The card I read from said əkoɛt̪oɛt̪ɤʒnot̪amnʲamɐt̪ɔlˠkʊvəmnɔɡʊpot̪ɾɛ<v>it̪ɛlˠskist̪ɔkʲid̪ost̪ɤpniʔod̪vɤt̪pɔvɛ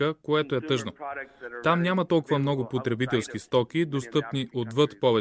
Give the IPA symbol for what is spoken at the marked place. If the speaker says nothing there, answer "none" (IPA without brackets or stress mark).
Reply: b